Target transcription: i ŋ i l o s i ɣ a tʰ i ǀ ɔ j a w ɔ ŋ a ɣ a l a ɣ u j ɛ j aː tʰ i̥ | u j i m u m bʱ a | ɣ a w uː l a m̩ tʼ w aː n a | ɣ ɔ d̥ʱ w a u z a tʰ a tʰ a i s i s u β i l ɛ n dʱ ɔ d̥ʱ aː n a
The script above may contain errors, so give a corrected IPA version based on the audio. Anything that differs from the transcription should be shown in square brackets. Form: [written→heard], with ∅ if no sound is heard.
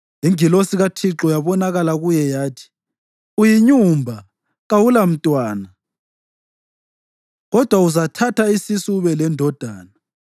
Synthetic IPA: i ŋ i l o s i ɣ a tʰ i [ǀ→ǁ] ɔ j a [w→β] ɔ [ŋ→n] a ɣ a l a ɣ u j ɛ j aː tʰ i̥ | u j i [m→ɲ] u m bʱ a | ɣ a w [uː→u] l a m̩ tʼ w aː n a | ɣ ɔ d̥ʱ w a u z a tʰ a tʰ a i s i s u β [i→ɛ] l ɛ n dʱ ɔ d̥ʱ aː n a